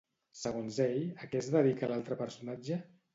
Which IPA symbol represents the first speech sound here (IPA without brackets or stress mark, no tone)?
s